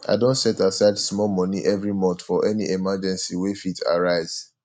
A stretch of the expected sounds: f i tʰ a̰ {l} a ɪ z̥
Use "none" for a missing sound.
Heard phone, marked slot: ɹ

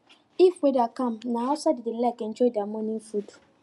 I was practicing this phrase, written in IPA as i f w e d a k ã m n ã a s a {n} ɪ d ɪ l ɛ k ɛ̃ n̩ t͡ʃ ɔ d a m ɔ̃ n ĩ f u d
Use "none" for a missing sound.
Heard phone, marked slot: d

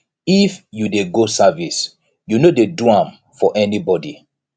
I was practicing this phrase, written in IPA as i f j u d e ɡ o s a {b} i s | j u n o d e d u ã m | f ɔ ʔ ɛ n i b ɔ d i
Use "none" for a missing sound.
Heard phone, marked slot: v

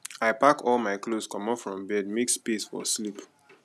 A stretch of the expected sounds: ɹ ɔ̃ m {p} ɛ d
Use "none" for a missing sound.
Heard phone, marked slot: b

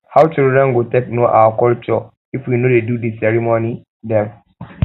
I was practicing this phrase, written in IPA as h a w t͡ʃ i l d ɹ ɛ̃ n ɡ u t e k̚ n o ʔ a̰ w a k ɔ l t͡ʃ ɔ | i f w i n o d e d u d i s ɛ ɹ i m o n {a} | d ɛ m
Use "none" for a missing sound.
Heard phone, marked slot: i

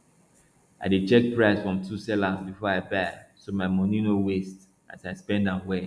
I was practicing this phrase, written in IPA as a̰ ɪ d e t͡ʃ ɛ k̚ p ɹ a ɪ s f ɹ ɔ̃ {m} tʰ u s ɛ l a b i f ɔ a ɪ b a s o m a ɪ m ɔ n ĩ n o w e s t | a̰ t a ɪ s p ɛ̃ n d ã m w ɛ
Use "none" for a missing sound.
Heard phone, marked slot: m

